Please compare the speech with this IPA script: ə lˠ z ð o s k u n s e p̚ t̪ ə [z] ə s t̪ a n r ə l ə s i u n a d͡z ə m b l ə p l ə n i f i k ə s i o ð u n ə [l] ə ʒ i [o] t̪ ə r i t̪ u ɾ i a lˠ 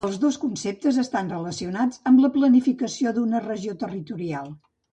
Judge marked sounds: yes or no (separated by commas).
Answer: yes, no, yes